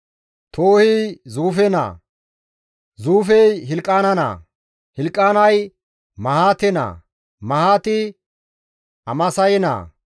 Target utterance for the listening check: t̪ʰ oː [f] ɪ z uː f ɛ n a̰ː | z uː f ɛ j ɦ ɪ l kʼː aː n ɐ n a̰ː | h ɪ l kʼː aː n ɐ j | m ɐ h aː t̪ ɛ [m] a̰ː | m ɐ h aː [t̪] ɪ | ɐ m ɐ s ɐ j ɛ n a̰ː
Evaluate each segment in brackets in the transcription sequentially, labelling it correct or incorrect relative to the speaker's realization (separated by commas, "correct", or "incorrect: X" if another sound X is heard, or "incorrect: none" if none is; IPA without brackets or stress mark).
incorrect: h, incorrect: n, correct